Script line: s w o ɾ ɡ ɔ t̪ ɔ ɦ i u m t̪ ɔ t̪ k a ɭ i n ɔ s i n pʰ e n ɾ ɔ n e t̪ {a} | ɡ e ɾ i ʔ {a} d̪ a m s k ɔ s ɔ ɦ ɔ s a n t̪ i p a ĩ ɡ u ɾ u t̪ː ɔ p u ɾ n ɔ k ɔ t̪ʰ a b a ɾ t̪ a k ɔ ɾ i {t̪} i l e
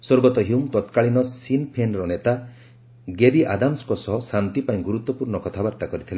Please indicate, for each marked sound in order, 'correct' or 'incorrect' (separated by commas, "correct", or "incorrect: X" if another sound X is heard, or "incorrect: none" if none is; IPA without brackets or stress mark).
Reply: correct, correct, incorrect: t̪ʰ